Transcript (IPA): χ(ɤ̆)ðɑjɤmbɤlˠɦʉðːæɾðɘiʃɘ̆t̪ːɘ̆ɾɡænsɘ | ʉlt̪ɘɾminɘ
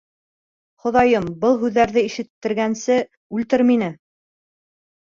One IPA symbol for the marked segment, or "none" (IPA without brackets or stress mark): ŏ